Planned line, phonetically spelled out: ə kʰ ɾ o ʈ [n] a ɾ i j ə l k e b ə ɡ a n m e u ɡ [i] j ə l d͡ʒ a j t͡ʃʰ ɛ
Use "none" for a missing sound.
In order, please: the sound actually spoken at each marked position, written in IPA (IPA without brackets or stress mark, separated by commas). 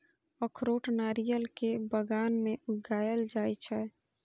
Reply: n, a